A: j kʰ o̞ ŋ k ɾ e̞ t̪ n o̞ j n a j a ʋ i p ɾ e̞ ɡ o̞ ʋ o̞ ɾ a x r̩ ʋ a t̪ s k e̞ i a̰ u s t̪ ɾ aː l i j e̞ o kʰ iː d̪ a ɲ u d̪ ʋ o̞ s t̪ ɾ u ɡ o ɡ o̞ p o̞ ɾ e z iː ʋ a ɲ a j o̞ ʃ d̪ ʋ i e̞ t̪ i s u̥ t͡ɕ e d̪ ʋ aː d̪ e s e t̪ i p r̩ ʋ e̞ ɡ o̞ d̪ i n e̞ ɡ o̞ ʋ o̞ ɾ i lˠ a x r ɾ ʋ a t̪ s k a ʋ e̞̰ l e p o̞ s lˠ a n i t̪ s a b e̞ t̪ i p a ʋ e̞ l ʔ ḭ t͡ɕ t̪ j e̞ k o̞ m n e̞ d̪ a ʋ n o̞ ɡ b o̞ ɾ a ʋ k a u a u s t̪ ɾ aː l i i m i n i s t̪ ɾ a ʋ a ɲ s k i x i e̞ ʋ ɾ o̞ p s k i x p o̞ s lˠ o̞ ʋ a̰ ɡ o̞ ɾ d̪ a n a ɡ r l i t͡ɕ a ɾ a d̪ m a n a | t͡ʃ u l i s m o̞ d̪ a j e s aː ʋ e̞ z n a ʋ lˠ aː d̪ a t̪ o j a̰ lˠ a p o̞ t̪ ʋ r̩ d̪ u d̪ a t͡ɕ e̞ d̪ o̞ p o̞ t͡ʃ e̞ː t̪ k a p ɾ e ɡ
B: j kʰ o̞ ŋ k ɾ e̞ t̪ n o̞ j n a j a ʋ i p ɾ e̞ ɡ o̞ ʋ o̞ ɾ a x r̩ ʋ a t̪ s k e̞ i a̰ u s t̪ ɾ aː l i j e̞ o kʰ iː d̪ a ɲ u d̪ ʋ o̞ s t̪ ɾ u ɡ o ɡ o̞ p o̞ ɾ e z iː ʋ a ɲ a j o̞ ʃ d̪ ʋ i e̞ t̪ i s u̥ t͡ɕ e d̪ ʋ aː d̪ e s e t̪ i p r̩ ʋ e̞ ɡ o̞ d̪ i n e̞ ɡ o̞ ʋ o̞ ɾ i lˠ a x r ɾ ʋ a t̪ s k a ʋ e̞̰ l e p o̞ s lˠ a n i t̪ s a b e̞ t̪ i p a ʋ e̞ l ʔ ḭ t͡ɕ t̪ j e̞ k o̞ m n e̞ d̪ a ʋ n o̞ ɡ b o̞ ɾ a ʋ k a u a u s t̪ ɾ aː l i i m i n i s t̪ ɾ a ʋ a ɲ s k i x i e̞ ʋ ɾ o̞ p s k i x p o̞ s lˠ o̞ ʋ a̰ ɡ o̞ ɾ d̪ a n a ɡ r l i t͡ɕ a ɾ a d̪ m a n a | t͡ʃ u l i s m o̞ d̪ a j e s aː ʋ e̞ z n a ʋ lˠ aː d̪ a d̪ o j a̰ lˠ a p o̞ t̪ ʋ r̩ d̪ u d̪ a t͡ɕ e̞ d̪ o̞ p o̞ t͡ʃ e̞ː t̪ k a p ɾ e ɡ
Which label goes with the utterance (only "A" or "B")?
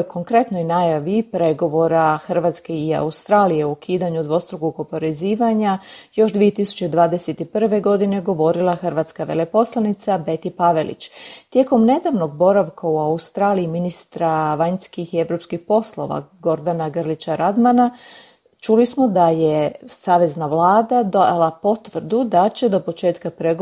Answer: B